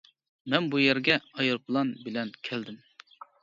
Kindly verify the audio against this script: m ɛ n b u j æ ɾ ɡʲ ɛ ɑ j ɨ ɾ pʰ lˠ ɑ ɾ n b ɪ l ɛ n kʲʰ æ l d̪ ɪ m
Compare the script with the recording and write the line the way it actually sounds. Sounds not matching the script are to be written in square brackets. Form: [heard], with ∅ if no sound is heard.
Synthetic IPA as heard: m ɛ n b u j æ ɾ ɡʲ ɛ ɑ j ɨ ɾ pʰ lˠ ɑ [∅] n b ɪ l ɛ n kʲʰ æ l d̪ ɪ m

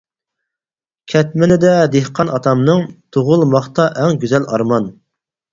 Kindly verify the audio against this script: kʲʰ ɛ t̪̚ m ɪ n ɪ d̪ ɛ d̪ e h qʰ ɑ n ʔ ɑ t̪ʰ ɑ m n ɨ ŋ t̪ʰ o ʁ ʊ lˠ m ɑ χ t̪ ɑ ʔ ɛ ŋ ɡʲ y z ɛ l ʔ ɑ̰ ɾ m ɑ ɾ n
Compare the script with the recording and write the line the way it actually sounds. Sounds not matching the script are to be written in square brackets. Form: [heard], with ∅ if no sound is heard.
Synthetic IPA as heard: kʲʰ ɛ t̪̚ m ɪ n ɪ d̪ ɛ d̪ e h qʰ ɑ n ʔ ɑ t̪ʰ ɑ m n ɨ ŋ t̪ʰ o ʁ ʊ lˠ m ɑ χ t̪ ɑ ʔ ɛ ŋ ɡʲ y z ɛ l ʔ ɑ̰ ɾ m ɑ [∅] n

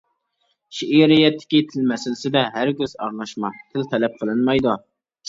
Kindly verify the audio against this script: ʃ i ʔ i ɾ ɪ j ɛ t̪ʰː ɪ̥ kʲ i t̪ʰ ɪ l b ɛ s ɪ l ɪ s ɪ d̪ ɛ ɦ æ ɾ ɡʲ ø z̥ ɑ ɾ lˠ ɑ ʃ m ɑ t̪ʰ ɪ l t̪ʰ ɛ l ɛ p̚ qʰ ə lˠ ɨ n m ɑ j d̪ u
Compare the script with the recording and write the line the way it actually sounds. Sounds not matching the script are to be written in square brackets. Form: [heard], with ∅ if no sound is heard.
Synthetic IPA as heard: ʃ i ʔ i ɾ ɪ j ɛ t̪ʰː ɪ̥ kʲ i t̪ʰ ɪ l [m] ɛ s ɪ l ɪ s ɪ d̪ ɛ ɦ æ ɾ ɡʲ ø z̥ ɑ ɾ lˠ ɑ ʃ m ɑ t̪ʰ ɪ l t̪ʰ ɛ l ɛ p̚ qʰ ə lˠ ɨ n m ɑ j d̪ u

